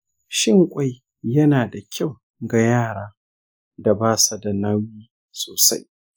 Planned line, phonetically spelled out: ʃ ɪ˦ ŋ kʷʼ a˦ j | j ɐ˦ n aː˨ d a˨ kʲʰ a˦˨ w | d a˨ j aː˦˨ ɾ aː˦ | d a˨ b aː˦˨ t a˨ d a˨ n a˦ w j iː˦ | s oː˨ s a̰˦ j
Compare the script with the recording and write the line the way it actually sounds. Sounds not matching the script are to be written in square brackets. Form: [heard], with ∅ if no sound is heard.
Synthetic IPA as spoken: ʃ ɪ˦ ŋ kʷʼ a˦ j | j ɐ˦ n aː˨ d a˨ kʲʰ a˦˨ w | [ɡ] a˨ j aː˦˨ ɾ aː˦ | d a˨ b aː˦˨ [s] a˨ d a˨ n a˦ w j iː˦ | s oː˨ s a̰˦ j

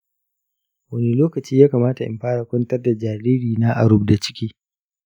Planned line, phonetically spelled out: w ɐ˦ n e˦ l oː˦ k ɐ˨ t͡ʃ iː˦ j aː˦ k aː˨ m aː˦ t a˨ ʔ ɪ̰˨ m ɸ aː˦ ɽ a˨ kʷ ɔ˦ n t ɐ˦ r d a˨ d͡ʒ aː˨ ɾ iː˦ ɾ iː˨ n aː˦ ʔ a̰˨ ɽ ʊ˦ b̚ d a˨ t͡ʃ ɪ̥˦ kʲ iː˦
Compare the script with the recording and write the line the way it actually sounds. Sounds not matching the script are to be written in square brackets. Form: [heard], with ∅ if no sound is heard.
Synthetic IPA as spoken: w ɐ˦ n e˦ l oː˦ k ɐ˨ t͡ʃ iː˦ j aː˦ k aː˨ m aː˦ t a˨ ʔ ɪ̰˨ m ɸ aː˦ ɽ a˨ kʷ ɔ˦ n t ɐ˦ r d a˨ d͡ʒ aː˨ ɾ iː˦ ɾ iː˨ n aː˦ ʔ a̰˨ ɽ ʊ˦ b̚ d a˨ t͡ʃ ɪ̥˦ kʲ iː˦

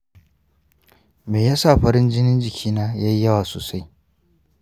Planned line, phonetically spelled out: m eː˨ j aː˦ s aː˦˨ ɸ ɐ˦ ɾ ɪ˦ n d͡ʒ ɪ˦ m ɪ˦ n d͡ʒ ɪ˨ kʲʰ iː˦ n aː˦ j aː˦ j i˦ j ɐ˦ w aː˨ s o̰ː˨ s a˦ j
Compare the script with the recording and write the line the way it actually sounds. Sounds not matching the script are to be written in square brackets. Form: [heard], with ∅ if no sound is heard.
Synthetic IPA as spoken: m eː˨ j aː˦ s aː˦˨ ɸ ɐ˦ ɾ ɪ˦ n d͡ʒ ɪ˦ [n] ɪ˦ n d͡ʒ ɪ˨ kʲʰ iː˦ n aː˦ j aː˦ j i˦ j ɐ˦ w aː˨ s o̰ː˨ s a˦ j

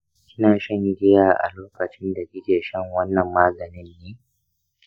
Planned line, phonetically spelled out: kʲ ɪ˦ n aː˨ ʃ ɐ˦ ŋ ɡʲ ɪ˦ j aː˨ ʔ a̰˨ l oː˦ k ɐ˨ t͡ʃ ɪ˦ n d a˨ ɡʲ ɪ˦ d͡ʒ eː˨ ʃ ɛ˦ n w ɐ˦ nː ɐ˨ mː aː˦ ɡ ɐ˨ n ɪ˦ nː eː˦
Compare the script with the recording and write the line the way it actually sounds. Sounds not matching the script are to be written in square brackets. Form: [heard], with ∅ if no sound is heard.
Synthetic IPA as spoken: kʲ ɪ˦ n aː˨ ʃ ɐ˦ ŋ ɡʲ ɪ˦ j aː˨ ʔ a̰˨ l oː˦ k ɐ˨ t͡ʃ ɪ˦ n d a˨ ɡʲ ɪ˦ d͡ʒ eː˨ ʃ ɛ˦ [ŋ] w ɐ˦ nː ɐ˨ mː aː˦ ɡ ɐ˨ n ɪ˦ nː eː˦

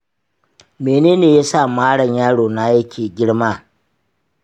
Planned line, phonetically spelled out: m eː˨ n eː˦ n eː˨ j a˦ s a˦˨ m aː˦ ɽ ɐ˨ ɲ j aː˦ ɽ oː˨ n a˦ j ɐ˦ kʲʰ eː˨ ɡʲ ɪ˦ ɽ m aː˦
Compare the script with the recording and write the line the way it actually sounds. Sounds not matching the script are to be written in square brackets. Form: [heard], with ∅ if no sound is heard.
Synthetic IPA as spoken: m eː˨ n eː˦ n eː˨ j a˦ s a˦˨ m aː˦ ɽ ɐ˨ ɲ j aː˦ ɽ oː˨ n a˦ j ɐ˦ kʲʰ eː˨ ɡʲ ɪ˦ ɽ m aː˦

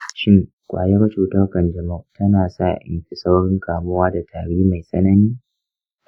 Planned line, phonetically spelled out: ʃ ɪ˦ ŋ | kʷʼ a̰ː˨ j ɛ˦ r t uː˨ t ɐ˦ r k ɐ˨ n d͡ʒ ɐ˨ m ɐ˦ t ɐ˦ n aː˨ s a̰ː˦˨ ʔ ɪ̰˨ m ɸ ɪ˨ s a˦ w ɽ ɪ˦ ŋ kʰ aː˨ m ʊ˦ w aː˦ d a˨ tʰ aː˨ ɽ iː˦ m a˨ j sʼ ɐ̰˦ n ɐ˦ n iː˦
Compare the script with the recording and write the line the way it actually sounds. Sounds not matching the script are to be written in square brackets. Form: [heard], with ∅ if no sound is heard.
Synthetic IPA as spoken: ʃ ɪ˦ ŋ | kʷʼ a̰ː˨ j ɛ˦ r [t͡ʃ] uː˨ t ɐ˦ r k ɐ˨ n d͡ʒ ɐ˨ m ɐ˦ t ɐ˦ n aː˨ s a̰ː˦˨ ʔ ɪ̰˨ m ɸ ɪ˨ s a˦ w ɽ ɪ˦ ŋ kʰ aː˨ m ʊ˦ w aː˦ d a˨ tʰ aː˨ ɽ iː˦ m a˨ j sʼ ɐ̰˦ n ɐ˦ n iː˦

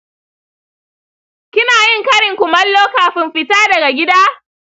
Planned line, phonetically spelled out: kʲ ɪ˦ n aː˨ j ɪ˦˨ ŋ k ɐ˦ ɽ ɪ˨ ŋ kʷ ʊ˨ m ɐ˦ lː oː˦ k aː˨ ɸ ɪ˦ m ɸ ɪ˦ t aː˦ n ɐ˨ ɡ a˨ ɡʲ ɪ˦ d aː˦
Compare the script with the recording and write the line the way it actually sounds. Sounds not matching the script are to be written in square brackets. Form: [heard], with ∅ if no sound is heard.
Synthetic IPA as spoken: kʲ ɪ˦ n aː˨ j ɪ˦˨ ŋ k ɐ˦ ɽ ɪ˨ ŋ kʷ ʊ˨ m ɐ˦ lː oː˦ k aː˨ ɸ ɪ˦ m ɸ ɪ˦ t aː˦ [d] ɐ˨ ɡ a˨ ɡʲ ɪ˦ d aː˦

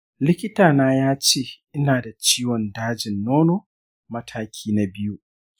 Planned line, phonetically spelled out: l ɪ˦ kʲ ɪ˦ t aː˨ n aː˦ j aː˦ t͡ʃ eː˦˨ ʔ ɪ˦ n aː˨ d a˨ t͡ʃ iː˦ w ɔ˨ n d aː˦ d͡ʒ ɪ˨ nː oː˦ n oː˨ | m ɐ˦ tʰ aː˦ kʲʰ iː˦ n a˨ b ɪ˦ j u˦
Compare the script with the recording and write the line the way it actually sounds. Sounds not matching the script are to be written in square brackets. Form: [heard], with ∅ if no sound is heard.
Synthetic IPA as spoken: l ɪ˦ kʲ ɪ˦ t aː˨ n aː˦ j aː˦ t͡ʃ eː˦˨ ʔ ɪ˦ n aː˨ d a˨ t͡ʃ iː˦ w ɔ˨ n d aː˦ d͡ʒ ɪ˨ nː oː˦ n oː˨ | m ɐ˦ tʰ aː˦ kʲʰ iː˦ n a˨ b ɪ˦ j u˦

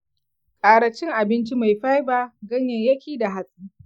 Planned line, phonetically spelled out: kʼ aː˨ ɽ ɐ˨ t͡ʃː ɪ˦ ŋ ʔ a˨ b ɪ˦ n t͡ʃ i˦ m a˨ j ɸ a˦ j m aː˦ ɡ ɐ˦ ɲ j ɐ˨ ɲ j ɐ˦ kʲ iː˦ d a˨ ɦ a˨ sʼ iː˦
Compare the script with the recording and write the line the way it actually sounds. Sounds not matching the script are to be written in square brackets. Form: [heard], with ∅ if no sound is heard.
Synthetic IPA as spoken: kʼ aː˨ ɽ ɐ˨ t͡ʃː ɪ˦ ŋ ʔ a˨ b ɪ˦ n t͡ʃ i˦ m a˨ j ɸ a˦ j [b] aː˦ ɡ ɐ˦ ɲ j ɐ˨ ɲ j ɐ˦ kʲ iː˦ d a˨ ɦ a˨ sʼ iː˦

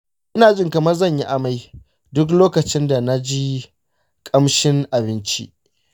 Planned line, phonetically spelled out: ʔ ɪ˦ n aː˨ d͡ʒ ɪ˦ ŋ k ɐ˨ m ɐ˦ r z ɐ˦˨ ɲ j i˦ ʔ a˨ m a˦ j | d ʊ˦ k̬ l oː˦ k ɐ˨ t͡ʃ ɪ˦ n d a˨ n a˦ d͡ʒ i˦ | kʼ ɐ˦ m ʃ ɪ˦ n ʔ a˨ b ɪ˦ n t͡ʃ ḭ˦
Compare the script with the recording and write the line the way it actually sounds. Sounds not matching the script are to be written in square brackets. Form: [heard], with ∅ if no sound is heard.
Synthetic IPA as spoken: ʔ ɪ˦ n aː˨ d͡ʒ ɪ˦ ŋ k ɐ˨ m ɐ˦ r z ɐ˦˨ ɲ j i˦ ʔ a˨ m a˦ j | d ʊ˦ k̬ l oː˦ k ɐ˨ t͡ʃ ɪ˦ n d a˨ n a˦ d͡ʒ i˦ | kʼ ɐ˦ m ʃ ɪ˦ [ŋ] ʔ a˨ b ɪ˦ n t͡ʃ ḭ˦

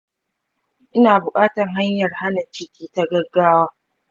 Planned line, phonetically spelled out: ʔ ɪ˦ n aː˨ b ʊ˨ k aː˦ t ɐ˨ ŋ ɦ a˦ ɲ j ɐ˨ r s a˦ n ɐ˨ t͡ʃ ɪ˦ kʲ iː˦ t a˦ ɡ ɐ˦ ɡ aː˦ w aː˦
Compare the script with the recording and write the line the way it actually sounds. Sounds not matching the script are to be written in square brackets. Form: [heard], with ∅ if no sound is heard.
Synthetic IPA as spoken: ʔ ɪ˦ n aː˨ b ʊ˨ [kʼ] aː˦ t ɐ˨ ŋ ɦ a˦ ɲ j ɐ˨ r [h] a˦ n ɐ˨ t͡ʃ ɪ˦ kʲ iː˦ t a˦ ɡ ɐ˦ ɡ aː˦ w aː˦

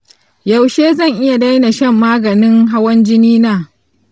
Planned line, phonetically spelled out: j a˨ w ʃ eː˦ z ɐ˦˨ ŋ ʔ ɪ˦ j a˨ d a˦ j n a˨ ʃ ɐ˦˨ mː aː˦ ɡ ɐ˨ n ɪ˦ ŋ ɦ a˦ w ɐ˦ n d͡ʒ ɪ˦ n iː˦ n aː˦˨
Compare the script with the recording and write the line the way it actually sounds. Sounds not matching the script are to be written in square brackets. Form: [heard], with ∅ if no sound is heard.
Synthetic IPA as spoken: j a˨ w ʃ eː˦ z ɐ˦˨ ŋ ʔ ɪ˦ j a˨ d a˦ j n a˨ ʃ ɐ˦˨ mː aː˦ ɡ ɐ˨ n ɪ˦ ŋ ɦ a˦ w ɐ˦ n d͡ʒ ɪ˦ n iː˦ n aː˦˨

